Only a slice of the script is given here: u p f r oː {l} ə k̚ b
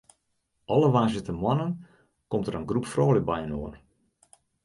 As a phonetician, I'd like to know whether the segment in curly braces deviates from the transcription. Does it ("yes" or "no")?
no